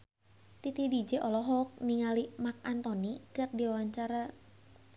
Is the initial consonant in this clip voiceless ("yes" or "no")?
yes